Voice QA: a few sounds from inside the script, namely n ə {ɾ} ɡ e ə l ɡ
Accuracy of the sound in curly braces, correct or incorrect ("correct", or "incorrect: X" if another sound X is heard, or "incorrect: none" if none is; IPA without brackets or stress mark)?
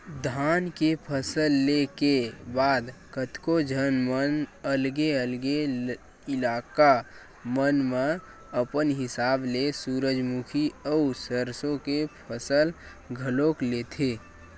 incorrect: l